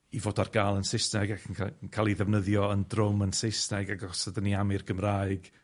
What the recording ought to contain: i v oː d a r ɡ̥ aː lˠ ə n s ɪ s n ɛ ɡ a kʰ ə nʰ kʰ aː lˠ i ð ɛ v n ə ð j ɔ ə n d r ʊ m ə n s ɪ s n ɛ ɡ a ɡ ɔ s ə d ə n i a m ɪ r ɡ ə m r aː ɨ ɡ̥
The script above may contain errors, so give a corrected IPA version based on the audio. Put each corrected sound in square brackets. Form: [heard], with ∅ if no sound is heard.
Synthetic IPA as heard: i v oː d a r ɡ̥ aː lˠ ə n s ɪ s n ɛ ɡ a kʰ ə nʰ kʰ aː lˠ i ð ɛ v n ə ð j ɔ ə n d r ʊ m ə n s ɪ s n ɛ ɡ a ɡ ɔ s ə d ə n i a m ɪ r ɡ ə m r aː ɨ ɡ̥